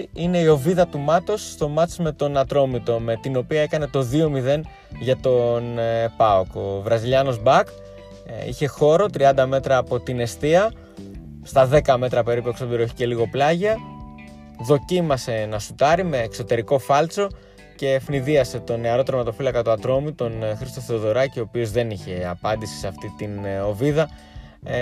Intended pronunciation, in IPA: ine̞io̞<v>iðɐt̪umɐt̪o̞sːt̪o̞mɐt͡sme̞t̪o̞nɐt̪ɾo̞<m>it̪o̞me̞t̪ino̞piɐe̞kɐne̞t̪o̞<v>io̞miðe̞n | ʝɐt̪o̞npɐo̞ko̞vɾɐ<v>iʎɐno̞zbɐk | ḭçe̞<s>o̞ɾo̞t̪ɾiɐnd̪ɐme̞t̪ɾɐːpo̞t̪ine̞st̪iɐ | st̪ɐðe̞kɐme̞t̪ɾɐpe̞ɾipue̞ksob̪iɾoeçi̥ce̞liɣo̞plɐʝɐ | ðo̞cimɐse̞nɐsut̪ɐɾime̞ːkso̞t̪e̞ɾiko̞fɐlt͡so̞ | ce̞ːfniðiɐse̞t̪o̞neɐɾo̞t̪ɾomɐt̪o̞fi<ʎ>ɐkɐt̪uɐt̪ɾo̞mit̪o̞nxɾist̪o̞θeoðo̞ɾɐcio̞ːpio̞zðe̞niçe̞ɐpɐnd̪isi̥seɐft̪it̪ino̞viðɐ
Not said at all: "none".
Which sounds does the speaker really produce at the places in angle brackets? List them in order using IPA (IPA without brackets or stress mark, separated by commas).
v, m, ð, z, x, l